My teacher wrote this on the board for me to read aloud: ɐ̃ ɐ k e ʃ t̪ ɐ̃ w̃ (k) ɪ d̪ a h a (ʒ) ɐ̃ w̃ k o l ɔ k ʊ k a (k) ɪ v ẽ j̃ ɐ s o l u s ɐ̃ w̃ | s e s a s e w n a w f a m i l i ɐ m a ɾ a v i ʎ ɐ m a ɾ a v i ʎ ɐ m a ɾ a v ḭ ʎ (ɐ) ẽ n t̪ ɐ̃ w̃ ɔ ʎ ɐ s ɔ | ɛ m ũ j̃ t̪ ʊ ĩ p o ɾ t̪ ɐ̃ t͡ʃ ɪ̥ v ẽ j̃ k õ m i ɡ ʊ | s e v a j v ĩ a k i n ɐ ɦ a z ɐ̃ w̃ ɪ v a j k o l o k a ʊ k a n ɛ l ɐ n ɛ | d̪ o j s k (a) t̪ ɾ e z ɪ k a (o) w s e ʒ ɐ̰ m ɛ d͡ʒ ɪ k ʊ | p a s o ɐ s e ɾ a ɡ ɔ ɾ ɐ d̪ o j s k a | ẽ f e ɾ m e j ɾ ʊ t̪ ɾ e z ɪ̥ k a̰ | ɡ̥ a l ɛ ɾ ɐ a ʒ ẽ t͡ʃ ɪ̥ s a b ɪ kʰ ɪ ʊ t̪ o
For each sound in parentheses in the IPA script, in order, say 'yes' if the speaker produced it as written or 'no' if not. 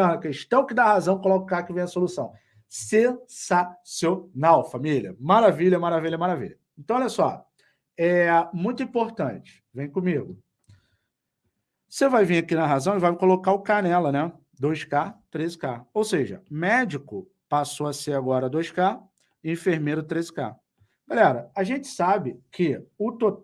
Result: yes, no, yes, yes, yes, yes

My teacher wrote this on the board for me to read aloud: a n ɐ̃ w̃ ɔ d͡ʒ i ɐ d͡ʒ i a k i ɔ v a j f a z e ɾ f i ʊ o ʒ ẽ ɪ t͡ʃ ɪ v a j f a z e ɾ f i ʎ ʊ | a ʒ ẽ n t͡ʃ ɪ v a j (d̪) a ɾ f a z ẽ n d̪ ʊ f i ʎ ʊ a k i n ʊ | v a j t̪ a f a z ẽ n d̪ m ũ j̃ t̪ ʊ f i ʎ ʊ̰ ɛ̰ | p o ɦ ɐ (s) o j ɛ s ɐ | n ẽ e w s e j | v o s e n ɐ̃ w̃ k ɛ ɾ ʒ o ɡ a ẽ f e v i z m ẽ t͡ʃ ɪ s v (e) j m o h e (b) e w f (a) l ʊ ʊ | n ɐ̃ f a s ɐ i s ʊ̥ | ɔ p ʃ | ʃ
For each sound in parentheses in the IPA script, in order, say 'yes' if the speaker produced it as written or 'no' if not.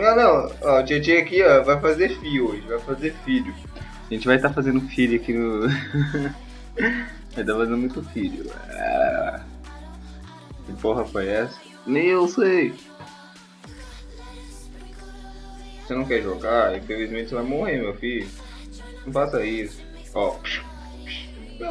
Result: no, no, no, no, no

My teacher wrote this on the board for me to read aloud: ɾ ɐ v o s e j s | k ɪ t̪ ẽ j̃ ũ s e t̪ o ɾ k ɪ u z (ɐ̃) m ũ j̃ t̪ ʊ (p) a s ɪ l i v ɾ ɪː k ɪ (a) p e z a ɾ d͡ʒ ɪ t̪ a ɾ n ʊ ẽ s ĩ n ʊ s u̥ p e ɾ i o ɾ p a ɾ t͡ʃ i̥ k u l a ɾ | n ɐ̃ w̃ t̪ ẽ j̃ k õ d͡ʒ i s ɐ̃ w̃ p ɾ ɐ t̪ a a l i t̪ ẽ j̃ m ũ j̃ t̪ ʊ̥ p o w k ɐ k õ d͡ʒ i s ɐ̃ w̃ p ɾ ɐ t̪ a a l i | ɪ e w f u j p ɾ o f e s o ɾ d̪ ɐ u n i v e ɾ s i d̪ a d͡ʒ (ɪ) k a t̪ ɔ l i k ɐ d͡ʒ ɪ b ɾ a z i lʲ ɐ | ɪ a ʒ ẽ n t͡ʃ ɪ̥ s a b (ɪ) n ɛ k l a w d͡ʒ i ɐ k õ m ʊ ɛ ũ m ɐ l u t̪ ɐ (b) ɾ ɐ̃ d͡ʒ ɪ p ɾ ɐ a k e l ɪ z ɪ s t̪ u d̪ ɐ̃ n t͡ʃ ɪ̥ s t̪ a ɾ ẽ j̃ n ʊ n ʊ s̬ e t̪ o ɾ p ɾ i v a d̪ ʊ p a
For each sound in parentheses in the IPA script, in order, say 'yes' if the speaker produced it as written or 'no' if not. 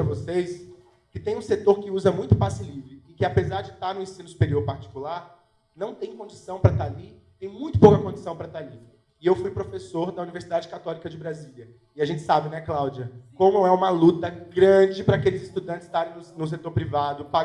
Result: no, yes, yes, yes, yes, no

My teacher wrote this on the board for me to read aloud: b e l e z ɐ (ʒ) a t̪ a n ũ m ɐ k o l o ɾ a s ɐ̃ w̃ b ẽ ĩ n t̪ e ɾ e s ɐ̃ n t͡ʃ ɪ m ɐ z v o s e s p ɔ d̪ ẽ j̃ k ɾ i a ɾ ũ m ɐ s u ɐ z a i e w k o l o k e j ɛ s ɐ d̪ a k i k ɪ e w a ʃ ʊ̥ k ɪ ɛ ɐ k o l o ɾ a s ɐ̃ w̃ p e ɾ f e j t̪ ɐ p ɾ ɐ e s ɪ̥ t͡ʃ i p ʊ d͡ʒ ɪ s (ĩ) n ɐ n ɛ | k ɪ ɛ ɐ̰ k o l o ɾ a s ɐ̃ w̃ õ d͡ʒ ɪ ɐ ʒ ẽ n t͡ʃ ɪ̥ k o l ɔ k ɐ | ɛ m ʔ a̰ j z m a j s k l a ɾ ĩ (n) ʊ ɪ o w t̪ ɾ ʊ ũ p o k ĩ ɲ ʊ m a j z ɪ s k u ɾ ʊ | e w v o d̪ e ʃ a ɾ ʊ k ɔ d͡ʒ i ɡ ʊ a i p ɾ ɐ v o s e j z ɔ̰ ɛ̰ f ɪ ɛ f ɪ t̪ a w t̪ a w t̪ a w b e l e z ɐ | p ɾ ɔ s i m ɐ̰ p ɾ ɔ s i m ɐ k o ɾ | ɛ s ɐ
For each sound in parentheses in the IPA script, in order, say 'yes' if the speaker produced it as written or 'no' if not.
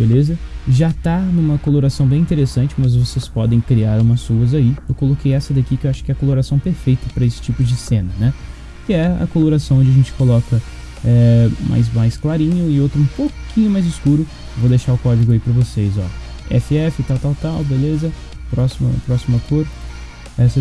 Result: yes, no, no

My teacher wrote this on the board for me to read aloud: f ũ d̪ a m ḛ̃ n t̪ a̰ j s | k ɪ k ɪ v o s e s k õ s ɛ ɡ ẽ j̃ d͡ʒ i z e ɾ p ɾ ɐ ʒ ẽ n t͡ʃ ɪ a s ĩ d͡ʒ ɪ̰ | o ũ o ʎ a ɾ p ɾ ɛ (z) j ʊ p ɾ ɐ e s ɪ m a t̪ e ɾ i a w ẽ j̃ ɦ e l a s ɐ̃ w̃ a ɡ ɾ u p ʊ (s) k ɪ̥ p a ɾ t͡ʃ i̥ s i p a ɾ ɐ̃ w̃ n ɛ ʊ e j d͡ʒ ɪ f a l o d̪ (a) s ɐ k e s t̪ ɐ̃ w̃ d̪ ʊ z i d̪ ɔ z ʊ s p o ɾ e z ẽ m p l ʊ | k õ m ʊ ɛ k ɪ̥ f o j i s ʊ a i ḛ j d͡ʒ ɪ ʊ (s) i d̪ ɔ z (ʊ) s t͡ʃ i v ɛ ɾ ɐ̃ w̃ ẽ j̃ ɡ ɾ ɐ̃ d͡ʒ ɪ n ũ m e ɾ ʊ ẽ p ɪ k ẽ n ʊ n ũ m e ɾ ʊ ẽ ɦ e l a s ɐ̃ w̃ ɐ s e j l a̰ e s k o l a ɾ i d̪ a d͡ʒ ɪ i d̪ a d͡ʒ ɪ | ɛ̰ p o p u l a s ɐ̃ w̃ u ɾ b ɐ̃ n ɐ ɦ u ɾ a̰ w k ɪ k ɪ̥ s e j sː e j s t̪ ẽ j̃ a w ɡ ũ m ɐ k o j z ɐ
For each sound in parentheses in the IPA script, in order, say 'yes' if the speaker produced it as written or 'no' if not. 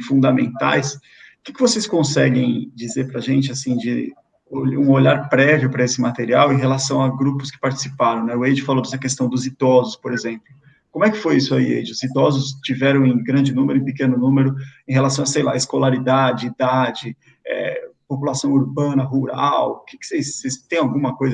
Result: no, yes, no, no, yes

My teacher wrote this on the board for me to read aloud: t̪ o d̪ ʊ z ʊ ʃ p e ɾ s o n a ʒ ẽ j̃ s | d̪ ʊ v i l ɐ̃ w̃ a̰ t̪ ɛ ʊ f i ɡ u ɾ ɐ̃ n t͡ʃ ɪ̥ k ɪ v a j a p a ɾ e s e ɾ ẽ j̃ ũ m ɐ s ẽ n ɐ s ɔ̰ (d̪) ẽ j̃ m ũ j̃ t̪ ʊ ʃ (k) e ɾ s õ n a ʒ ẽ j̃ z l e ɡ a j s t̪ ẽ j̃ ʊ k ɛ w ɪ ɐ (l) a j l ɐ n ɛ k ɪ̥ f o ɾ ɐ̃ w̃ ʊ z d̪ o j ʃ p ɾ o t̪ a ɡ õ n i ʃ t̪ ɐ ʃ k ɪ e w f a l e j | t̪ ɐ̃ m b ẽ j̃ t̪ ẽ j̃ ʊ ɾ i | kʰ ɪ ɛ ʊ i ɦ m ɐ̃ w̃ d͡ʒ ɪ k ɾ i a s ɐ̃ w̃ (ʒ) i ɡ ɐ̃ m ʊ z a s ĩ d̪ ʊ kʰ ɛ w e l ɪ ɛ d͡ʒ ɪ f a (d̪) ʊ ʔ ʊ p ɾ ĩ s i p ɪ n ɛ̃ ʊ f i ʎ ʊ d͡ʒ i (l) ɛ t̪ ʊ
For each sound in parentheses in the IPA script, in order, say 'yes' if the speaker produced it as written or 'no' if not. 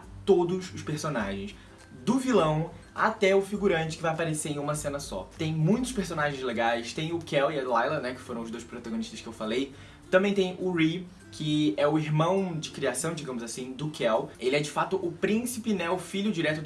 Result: no, no, yes, no, no, no

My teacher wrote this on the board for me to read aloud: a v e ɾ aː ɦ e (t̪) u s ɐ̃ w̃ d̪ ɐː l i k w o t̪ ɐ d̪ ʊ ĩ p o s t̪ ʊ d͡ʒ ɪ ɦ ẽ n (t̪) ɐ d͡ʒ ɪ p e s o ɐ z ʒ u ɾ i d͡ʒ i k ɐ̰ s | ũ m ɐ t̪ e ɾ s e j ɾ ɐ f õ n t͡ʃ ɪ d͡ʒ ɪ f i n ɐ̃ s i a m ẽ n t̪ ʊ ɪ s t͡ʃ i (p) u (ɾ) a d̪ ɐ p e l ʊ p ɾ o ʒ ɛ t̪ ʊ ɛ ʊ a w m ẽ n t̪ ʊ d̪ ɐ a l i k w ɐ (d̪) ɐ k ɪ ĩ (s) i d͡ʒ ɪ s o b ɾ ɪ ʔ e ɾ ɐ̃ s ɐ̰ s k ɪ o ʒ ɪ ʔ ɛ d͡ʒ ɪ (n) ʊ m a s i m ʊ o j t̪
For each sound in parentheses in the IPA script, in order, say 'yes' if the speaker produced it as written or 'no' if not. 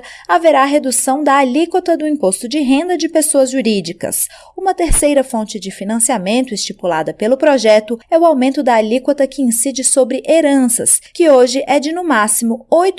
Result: no, no, yes, no, no, yes, yes

